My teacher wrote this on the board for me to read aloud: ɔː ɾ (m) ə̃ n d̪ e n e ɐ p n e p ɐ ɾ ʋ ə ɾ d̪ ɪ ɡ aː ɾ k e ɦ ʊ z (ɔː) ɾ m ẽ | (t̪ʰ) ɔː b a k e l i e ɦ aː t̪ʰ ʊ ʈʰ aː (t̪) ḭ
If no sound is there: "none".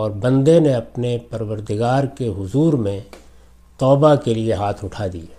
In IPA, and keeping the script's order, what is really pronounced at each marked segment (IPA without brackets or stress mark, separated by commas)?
b, uː, t̪, d̪